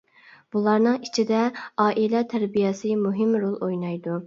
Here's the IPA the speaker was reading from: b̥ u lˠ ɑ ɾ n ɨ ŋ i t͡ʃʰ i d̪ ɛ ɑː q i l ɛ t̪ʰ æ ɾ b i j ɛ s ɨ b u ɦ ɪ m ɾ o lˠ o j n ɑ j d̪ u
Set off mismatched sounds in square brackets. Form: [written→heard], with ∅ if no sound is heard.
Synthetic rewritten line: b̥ u lˠ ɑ ɾ n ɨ ŋ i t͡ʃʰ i d̪ ɛ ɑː [q→ʔ] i l ɛ t̪ʰ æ ɾ b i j ɛ s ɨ [b→m] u ɦ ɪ m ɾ o lˠ o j n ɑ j d̪ u